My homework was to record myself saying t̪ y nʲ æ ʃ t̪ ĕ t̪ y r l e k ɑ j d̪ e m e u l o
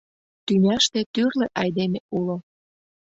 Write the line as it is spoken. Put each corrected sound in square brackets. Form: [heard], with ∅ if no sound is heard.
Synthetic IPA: t̪ y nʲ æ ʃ t̪ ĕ t̪ y r l e [ʔ] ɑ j d̪ e m e u l o